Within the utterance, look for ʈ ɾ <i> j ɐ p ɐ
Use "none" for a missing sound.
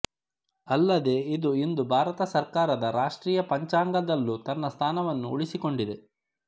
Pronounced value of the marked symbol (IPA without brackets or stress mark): iː